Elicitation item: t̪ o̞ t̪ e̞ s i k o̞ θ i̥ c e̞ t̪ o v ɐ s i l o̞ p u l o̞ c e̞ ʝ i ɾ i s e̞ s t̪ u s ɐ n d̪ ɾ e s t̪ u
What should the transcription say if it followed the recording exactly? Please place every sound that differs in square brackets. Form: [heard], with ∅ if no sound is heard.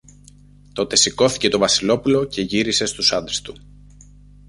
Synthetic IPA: t̪ o̞ t̪ e̞ s i k o̞ θ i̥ c e̞ t̪ o v ɐ s i l o̞ p u l o̞ c e̞ ʝ i ɾ i s e̞ s t̪ u s ɐ n d̪ ɾ e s t̪ u